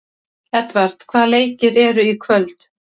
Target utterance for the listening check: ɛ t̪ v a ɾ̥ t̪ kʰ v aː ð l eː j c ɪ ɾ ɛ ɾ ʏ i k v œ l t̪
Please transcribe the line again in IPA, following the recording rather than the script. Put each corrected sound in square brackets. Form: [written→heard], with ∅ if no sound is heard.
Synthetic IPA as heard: ɛ t̪ v a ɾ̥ t̪ kʰ v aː ð l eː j c ɪ ɾ ɛ ɾ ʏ i [k→kʰ] v œ l t̪

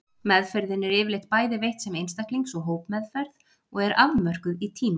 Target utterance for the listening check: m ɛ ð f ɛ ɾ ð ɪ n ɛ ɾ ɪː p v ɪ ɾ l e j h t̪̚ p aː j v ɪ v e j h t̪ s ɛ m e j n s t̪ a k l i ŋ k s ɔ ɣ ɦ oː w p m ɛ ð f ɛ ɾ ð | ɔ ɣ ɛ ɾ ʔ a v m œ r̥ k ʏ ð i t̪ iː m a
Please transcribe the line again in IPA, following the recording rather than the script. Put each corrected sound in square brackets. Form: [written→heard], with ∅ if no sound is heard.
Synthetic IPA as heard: m ɛ ð f ɛ ɾ ð ɪ n ɛ ɾ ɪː [p→∅] v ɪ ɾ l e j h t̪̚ p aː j [v→ð] ɪ v e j h t̪ s ɛ m e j n s t̪ a k l i ŋ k s ɔ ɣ ɦ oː w p m ɛ ð f ɛ ɾ ð | ɔ ɣ ɛ ɾ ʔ a v m œ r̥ k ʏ ð i [t̪→t̪ʰ] iː m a

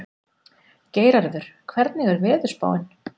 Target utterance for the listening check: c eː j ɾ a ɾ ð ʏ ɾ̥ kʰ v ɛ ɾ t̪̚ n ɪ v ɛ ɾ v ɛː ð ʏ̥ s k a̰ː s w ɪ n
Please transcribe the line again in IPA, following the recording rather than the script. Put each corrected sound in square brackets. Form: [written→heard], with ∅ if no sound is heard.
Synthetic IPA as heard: c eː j ɾ a ɾ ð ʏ ɾ̥ kʰ v ɛ ɾ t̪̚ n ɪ [v→ɣ] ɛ ɾ v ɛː ð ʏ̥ s [k→p] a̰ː [s→∅] w ɪ n

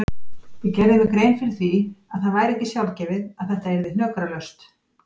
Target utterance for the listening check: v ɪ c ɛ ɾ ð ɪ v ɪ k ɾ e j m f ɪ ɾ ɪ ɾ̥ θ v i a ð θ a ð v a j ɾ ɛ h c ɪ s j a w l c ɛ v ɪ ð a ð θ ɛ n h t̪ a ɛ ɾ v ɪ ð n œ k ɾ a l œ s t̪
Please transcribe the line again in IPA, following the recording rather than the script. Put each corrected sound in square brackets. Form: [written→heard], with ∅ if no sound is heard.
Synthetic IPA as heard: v ɪ c ɛ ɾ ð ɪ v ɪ k ɾ e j [m→n] f ɪ ɾ ɪ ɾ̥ θ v i a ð θ a ð v a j ɾ ɛ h c ɪ s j a w l c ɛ v ɪ ð a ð θ ɛ [n→∅] h t̪ a ɛ ɾ v ɪ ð n œ k ɾ a l œ s t̪

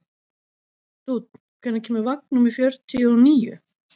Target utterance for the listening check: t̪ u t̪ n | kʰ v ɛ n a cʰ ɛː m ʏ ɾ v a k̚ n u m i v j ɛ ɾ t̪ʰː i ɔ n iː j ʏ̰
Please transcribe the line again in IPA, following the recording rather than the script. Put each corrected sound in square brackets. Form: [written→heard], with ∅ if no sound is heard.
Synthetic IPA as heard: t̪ u t̪ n | kʰ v ɛ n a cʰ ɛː m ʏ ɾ v a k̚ n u m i [v→f] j [ɛ→œ] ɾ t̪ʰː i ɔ n iː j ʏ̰

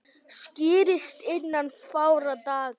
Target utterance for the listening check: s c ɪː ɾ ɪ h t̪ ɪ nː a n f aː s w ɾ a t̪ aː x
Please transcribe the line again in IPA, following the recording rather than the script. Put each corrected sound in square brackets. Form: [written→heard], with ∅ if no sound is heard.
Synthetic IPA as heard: s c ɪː ɾ ɪ [h→s] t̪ ɪ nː a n f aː [s→∅] w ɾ a t̪ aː [x→ɣ]

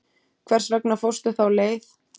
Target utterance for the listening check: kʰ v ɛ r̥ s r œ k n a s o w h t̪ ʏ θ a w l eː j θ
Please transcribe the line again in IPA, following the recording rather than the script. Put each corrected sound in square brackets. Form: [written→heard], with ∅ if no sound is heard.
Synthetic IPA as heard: kʰ v ɛ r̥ s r [œ→ɛ] k n a [s→f] o w [h→s] t̪ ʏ θ a w l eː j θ

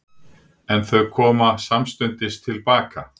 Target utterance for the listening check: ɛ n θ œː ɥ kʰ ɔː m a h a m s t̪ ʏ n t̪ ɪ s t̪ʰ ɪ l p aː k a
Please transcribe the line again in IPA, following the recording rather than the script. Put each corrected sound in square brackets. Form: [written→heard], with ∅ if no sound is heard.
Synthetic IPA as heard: ɛ n θ [œː→œ] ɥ kʰ ɔː m a [h→s] a m s t̪ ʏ n t̪ ɪ s t̪ʰ ɪ l p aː k a

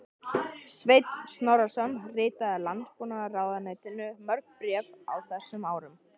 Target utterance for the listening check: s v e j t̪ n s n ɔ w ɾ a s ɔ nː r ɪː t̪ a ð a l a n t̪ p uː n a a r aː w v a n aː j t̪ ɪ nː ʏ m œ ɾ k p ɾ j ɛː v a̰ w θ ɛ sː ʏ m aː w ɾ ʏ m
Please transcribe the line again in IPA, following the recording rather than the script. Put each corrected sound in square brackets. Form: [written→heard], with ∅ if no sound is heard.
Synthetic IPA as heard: s v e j t̪ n s n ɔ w ɾ a s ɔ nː r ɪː t̪ a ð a l a n t̪ p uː n a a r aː w [v→ð] a n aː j t̪ ɪ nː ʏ m œ ɾ k p ɾ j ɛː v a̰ w θ ɛ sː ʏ m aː w ɾ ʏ m

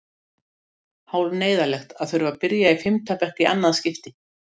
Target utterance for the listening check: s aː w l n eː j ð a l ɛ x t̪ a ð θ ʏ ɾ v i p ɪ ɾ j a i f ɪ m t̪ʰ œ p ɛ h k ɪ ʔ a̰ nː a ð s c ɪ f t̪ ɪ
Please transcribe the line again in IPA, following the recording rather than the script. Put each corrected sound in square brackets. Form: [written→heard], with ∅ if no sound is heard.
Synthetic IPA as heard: [s→h] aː w l n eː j ð a l ɛ x t̪ a ð θ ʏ ɾ v [i→a] p ɪ ɾ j a i f ɪ m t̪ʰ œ p ɛ h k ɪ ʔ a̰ nː a ð s c ɪ f t̪ ɪ

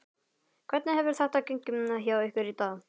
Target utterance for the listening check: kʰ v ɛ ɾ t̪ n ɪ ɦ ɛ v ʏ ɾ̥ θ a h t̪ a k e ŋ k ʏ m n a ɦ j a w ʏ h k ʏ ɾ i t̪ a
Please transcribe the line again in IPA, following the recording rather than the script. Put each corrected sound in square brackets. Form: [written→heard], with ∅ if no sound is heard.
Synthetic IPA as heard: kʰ v ɛ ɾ t̪ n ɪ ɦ ɛ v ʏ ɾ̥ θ a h t̪ a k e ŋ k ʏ m n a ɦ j a w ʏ h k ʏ ɾ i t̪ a

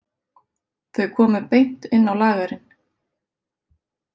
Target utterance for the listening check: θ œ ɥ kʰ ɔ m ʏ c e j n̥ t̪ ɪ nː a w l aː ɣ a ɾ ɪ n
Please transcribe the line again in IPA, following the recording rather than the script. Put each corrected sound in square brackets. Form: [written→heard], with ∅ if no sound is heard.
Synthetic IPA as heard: θ œ ɥ kʰ [ɔ→ɔː] m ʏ [c→p] e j n̥ t̪ ɪ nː a w l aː ɣ a ɾ ɪ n

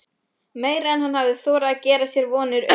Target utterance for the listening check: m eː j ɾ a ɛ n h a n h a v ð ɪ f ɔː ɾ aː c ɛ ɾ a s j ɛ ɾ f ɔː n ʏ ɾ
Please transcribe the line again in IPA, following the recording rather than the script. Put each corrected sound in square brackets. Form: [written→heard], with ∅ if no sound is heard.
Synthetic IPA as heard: m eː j ɾ a ɛ n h a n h a v ð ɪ [f→θ] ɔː ɾ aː c [ɛ→ɛː] ɾ a s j ɛ ɾ [f→v] ɔː n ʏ ɾ

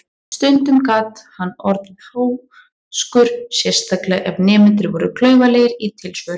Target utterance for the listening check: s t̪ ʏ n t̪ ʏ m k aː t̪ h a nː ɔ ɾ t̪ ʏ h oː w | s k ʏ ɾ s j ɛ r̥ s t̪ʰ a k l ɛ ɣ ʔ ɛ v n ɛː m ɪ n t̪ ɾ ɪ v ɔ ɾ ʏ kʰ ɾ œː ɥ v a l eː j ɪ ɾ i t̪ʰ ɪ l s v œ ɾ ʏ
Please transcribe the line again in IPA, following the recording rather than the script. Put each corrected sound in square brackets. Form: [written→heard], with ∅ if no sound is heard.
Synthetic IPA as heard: s t̪ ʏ n t̪ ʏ m k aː t̪ h a nː ɔ ɾ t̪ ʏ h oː w | s k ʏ ɾ s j ɛ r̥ s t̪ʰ a k l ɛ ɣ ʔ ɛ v n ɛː m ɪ n t̪ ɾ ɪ v ɔ ɾ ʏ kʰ [ɾ→l] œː ɥ v a l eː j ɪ ɾ i t̪ʰ ɪ l s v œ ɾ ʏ

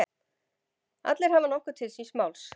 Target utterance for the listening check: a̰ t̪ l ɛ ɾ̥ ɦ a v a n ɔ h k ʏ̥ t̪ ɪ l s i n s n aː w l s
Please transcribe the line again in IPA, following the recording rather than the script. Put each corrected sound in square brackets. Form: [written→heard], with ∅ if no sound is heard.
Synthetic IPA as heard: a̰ t̪ l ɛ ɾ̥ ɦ a v a n ɔ h k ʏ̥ [t̪→t̪ʰ] ɪ l s i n s [n→m] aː w l s

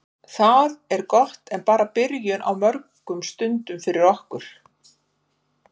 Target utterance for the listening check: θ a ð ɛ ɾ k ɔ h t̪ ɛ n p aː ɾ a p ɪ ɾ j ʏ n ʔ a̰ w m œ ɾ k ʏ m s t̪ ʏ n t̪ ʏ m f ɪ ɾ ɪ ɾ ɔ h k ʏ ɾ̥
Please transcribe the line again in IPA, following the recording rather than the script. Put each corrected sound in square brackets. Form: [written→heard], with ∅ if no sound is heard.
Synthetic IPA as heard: θ a ð ɛ ɾ k ɔ h t̪ ɛ n p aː ɾ a p ɪ ɾ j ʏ n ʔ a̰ w m œ ɾ k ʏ m s t̪ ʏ n t̪ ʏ m f ɪ ɾ ɪ ɾ ɔ h k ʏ ɾ̥

